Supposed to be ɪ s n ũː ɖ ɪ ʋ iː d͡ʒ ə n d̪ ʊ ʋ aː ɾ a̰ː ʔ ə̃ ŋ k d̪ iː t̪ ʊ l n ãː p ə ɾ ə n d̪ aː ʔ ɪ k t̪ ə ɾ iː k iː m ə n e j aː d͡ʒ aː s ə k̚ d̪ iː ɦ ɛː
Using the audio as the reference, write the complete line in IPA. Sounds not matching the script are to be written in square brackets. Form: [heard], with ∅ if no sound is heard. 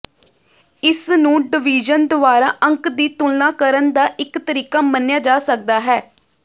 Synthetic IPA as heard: ɪ s n ũː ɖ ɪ ʋ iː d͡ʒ ə n d̪ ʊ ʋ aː ɾ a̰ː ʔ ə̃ ŋ k d̪ iː t̪ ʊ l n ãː [k] ə ɾ ə n d̪ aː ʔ ɪ k t̪ ə ɾ iː k [aː] m ə n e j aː d͡ʒ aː s ə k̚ d̪ [aː] ɦ ɛː